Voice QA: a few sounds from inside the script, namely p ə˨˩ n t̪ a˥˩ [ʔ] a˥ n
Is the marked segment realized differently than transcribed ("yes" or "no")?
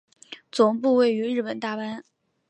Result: yes